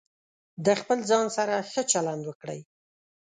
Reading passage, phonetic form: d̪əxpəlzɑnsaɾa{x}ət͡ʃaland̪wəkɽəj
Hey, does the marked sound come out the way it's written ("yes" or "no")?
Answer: yes